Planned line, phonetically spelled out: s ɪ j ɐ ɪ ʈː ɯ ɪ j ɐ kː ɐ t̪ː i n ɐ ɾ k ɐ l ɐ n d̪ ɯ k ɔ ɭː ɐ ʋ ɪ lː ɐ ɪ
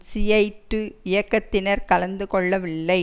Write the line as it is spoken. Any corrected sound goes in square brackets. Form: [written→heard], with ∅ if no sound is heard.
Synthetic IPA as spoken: s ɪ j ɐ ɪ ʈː ɯ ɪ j ɐ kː ɐ t̪ː [i→ɪ] n ɐ ɾ k ɐ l ɐ n d̪ ɯ k ɔ ɭː ɐ ʋ ɪ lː ɐ ɪ